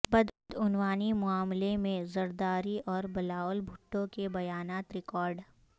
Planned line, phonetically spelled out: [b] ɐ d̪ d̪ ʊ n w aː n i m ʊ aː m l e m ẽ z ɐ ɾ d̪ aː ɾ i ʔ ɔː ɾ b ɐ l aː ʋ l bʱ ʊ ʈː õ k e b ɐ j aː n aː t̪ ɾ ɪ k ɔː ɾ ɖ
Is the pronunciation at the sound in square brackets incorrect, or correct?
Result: correct